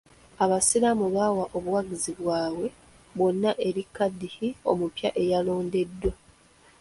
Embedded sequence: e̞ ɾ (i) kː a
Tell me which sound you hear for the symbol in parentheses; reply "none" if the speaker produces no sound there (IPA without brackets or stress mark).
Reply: i